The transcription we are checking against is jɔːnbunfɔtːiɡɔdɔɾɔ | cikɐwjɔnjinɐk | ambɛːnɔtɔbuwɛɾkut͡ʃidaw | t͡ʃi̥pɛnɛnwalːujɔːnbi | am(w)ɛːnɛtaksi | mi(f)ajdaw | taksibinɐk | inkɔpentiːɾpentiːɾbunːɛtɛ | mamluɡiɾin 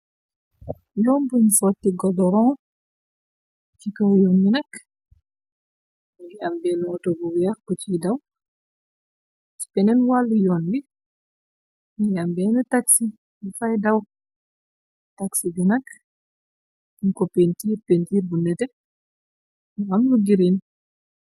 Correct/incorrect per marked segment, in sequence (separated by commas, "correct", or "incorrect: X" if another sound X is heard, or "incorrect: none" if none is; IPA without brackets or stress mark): incorrect: b, correct